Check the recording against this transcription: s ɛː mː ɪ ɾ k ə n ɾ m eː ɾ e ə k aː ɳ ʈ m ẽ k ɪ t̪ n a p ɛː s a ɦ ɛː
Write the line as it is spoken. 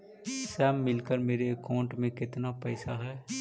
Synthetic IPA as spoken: s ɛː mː ɪ l k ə ɾ m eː ɾ e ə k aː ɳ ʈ m ẽ k ɪ t̪ n a p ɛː s a ɦ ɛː